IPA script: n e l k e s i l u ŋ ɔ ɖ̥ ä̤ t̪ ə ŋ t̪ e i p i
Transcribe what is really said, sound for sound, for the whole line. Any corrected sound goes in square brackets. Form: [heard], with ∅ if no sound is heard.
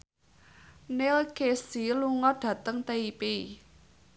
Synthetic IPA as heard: n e l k e s i l u ŋ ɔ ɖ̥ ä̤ t̪ ə ŋ t̪ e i p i